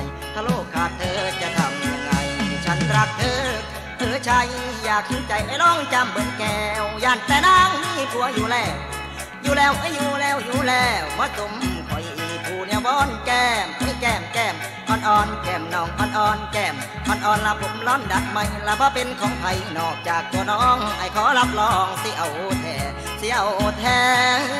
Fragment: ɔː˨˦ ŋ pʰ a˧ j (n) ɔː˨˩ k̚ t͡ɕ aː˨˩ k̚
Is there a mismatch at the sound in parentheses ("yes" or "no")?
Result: no